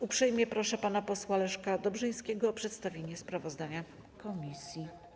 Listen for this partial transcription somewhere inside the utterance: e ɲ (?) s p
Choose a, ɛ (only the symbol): ɛ